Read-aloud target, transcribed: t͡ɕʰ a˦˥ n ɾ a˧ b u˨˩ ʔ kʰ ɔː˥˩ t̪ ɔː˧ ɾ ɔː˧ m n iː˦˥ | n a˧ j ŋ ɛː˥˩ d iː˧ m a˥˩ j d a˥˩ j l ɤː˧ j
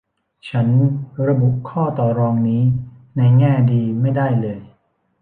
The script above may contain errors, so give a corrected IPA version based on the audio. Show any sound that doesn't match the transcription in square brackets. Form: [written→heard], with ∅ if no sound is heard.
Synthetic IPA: t͡ɕʰ a˦˥ n ɾ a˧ b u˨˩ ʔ kʰ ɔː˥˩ t̪ [ɔː˧→ɔː˨˩] ɾ ɔː˧ [m→ŋ] n iː˦˥ | n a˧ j ŋ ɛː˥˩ d iː˧ m a˥˩ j d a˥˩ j l ɤː˧ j